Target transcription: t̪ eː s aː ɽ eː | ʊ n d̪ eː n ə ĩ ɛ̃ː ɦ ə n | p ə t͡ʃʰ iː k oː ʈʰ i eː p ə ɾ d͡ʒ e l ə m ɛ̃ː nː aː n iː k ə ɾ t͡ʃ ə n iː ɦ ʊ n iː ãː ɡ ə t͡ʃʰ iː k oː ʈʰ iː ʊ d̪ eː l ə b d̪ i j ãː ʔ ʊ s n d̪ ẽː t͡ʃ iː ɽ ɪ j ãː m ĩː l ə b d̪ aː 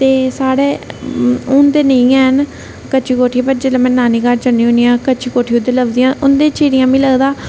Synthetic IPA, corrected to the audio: t̪ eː s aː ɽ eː | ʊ n d̪ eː n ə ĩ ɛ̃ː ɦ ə n | k ə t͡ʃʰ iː k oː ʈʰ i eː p ə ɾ d͡ʒ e l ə m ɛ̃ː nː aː n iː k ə ɾ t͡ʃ ə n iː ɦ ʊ n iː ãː k ə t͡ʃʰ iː k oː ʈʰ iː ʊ d̪ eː l ə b d̪ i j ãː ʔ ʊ n d̪ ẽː t͡ʃ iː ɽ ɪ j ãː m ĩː l ə ɡ d̪ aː

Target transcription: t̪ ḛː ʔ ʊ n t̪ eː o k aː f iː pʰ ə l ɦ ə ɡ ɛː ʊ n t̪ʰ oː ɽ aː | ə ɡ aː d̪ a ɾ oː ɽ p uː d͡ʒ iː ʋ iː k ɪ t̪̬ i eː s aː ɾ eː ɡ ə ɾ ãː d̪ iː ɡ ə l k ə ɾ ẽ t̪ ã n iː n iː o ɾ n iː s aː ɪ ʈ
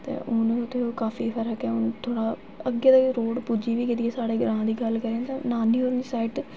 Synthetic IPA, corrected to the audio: t̪ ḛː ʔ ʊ n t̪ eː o k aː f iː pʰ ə ɾ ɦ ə k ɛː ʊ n t̪ʰ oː ɽ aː | ə ɡ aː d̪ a ɾ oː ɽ p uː d͡ʒ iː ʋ iː k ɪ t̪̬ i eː s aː ɽ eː ɡ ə ɾ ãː d̪ iː ɡ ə l k ə ɾ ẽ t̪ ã n aː n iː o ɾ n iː s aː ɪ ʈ

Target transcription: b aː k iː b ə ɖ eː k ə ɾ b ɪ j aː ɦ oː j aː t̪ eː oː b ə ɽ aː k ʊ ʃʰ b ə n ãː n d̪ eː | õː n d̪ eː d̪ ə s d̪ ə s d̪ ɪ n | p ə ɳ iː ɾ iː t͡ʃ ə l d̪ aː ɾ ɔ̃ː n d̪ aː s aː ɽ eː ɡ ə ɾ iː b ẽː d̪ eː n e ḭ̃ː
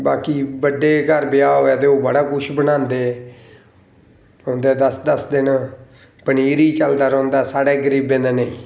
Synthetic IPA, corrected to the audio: b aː k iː b ə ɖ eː k ə ɾ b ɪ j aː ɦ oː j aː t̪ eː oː b ə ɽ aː k ʊ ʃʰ b ə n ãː n d̪ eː | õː n d̪ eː d̪ ə s d̪ ə s d̪ ɪ n | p ə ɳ iː ɾ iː t͡ʃ ə l d̪ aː ɾ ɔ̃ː n d̪ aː s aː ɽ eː ɡ ə ɾ iː b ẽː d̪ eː n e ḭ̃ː

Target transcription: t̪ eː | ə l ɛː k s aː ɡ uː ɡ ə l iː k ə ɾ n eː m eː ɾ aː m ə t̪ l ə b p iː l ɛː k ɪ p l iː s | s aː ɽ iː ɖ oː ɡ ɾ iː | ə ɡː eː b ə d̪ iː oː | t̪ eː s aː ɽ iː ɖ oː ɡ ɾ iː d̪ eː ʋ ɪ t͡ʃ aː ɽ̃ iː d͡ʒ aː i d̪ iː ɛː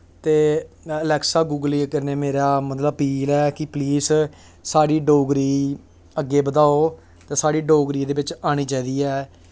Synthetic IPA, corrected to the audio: t̪ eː | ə l ɛː k s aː ɡ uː ɡ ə l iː k ə ɾ n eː m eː ɾ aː m ə t̪ l ə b p iː l ɛː k ɪ p l iː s | s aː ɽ iː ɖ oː ɡ ɾ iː | ə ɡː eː b ə d̪ aː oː | t̪ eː s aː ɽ iː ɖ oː ɡ ɾ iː d̪ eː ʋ ɪ t͡ʃ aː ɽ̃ iː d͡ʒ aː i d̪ iː ɛː

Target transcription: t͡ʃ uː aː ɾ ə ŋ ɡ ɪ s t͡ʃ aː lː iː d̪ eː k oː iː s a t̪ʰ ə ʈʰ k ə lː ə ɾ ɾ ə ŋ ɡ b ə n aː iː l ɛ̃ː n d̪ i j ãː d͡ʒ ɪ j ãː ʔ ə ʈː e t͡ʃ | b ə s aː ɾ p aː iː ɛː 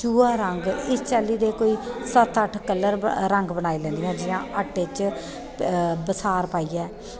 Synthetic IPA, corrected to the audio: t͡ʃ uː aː ɾ ə ŋ ɡ ɪ s t͡ʃ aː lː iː d̪ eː k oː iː s ə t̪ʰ ə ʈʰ k ə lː ə ɾ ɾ ə ŋ ɡ b ə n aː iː l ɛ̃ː n d̪ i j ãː d͡ʒ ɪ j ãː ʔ ə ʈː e t͡ʃ | b ə s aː ɾ p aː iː ɛː

